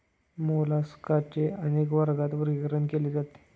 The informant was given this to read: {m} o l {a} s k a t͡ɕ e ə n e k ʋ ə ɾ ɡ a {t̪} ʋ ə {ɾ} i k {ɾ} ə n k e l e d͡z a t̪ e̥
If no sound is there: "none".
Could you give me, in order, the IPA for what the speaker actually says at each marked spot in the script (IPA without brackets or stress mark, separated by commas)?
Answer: m, a, t̪, ɾ, ɾ